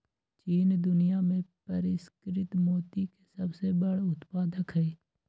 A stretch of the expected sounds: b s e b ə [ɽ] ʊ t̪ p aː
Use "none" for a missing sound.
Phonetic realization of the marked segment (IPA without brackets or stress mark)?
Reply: ɽ